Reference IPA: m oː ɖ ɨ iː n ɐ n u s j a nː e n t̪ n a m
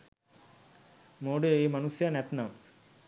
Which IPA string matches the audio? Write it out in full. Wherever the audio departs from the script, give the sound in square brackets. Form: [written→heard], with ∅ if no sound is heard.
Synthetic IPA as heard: m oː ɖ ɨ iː [n→m] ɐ n u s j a [nː→n] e [n→∅] t̪ n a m